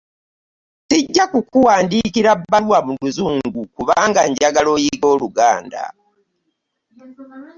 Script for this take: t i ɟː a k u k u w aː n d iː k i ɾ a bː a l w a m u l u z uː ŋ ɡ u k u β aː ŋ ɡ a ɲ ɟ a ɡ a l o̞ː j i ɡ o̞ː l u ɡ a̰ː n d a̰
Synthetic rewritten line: t i ɟː a k u k u w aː n d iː k i ɾ a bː a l w a m u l u z uː ŋ ɡ u k u β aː ŋ ɡ a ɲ ɟ a ɡ a l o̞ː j i ɡ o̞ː l u ɡ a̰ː n d a̰